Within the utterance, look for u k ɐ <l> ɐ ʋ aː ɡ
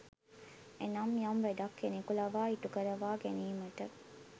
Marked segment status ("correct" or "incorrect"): incorrect